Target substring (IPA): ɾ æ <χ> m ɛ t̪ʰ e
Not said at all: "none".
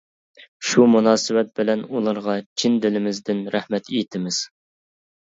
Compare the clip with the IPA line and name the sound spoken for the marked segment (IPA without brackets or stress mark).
h